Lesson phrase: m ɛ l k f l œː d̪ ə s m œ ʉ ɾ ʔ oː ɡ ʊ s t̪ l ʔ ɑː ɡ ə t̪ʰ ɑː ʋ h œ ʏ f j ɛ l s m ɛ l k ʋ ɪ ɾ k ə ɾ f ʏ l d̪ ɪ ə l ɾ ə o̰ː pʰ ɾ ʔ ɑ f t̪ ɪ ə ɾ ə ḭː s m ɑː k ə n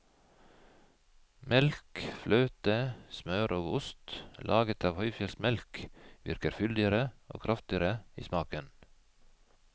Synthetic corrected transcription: m ɛ l k f l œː t̪ ə s m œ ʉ ɾ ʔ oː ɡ ʊ s t̪ l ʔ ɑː ɡ ə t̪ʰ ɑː ʋ h œ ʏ f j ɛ l s m ɛ l k ʋ ɪ ɾ k ə ɾ f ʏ l d̪ ɪ ə ɾ ə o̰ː kʰ ɾ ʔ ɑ f t̪ ɪ ə ɾ ə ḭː s m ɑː k ə n